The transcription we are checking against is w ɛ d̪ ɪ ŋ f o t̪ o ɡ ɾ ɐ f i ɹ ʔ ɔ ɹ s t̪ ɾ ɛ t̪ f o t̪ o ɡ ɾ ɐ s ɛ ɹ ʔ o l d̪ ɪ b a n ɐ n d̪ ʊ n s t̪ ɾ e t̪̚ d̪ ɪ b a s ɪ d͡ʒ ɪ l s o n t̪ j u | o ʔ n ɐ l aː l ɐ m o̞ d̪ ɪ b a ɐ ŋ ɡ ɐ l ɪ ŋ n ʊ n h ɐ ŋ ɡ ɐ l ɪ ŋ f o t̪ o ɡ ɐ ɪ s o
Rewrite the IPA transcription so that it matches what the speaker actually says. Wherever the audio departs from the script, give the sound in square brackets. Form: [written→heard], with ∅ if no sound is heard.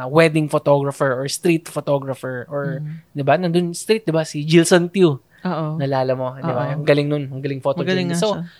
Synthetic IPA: w ɛ d̪ ɪ ŋ f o t̪ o ɡ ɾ ɐ f [i→ɛ] ɹ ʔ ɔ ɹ s t̪ ɾ [ɛ→i] t̪ f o t̪ o ɡ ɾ ɐ [s→f] ɛ ɹ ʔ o [l→ɹ] d̪ ɪ b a n ɐ n d̪ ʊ n s t̪ ɾ [e→i] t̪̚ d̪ ɪ b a s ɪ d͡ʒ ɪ l s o n t̪ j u | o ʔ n ɐ l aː l ɐ m o̞ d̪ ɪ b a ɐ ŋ ɡ ɐ l ɪ ŋ n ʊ n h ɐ ŋ ɡ ɐ l ɪ ŋ f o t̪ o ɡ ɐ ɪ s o